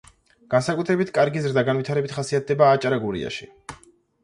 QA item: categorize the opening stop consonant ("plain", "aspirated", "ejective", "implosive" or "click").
plain